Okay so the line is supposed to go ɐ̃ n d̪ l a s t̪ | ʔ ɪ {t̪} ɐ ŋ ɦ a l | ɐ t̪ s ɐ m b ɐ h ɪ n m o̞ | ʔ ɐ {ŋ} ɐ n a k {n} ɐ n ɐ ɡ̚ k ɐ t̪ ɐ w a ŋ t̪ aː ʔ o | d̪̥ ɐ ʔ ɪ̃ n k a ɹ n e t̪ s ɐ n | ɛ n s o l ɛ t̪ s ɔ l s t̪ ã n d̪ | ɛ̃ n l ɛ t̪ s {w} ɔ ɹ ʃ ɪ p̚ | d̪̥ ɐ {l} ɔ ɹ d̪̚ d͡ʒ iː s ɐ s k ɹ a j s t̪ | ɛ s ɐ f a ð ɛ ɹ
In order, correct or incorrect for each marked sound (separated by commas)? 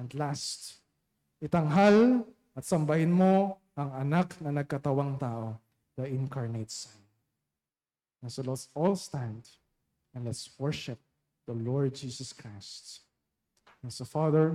correct, correct, correct, correct, correct